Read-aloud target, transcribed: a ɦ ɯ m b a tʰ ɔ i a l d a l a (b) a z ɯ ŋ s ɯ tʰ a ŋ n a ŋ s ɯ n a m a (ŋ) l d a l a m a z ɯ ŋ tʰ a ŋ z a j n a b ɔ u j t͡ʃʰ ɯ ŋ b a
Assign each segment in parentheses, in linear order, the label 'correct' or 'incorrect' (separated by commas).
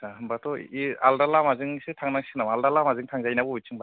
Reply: incorrect, incorrect